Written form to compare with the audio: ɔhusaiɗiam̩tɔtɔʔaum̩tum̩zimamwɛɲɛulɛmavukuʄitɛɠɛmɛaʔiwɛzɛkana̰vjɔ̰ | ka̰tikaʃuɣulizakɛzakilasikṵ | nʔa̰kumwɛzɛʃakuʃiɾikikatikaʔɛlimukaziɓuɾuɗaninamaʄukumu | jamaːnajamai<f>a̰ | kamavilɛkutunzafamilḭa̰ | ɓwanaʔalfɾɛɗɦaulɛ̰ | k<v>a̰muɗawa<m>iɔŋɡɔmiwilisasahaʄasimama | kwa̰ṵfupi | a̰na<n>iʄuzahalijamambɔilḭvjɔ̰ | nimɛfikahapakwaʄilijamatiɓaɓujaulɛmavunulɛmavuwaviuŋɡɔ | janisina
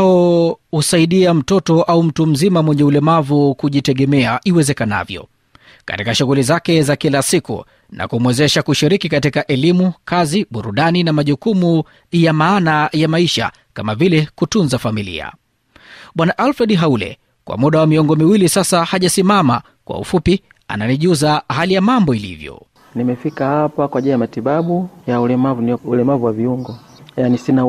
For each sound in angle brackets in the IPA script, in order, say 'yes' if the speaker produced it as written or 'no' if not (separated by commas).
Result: no, no, yes, yes